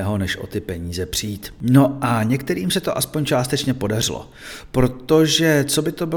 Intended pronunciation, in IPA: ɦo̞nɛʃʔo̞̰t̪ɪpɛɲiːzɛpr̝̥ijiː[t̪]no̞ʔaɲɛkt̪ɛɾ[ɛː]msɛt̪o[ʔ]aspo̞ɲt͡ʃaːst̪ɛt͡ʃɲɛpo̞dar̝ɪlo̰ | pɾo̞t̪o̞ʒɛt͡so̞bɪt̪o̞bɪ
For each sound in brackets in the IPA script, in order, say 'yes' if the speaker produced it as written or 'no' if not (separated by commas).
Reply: yes, no, yes